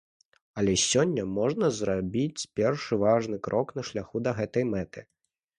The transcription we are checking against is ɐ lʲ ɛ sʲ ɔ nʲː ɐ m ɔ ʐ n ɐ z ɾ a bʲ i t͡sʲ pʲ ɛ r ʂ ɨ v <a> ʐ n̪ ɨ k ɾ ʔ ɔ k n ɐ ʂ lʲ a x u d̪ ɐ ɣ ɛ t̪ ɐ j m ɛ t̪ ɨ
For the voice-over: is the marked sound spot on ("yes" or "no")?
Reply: yes